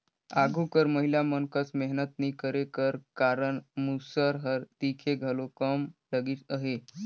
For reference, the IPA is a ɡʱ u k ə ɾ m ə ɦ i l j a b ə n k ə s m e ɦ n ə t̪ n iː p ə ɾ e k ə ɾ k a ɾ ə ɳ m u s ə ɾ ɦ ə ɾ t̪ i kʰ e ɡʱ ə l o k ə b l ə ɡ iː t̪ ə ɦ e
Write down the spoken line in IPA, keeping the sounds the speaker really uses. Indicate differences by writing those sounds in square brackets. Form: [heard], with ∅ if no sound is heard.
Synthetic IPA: a ɡʱ u k ə ɾ m ə ɦ i l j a [m] ə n k ə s m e ɦ n ə t̪ n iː [k] ə ɾ e k ə ɾ k a ɾ ə ɳ m u s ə ɾ ɦ ə ɾ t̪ i kʰ e ɡʱ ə l o k ə [m] l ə ɡ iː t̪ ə ɦ e

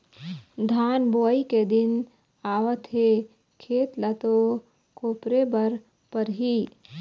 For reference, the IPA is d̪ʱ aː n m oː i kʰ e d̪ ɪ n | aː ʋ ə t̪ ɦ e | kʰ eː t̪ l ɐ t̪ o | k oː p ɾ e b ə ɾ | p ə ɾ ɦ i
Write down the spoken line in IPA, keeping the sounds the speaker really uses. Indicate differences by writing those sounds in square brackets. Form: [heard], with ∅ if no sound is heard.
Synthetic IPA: d̪ʱ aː n [b] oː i [k] e d̪ ɪ n | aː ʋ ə t̪ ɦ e | kʰ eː t̪ l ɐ t̪ o | k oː p ɾ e b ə ɾ | p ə ɾ ɦ i

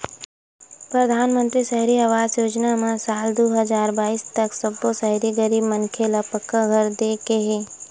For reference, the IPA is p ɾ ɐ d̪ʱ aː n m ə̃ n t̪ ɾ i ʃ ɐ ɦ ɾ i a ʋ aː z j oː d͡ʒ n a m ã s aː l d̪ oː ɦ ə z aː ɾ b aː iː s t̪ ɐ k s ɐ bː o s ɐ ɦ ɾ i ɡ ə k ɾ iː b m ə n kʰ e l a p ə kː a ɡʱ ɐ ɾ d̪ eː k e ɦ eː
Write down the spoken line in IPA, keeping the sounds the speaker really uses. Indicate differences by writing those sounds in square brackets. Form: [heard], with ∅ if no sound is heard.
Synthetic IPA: p ɾ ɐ d̪ʱ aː n m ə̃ n t̪ ɾ i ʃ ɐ ɦ ɾ i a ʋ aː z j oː d͡ʒ n a m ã s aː l d̪ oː ɦ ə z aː ɾ b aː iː s t̪ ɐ k s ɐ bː o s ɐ ɦ ɾ i ɡ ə [∅] ɾ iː b m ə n kʰ e l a p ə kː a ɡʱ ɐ ɾ d̪ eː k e ɦ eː

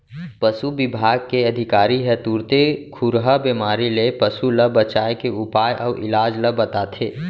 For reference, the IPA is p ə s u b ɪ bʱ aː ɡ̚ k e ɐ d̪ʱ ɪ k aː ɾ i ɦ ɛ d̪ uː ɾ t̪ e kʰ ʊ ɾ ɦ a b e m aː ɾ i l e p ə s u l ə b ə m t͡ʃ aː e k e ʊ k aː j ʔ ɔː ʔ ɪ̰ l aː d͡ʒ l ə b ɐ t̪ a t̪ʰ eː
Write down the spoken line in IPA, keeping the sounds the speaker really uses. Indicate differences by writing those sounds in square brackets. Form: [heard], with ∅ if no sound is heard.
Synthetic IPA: p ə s u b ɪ bʱ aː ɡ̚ k e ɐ d̪ʱ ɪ k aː ɾ i ɦ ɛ [t̪] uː ɾ t̪ e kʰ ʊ ɾ ɦ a b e m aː ɾ i l e p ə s u l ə b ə [∅] t͡ʃ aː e k e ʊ [p] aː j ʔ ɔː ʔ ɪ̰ l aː d͡ʒ l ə b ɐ t̪ a t̪ʰ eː

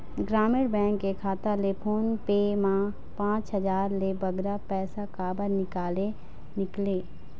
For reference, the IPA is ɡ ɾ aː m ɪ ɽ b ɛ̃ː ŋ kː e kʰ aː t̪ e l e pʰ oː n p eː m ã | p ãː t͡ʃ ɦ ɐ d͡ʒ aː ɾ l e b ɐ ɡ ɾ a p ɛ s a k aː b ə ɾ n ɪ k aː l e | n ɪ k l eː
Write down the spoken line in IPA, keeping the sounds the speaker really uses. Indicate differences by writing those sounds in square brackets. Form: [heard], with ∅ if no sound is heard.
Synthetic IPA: ɡ ɾ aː m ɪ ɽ b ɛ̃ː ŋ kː e kʰ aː t̪ [a] l e pʰ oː n p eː m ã | p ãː t͡ʃ ɦ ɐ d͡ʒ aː ɾ l e b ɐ ɡ ɾ a p [ɛː] s a k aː b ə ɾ n ɪ k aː l e | n ɪ k l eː

